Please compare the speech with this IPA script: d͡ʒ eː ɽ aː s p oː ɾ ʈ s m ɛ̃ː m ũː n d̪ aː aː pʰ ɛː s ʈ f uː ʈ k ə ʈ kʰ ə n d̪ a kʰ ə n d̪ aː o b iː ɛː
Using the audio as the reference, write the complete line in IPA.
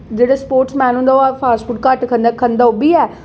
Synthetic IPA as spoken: d͡ʒ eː ɽ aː s p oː ɾ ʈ s m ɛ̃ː n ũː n d̪ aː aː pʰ aː s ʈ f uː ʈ k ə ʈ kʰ ə n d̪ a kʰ ə n d̪ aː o b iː ɛː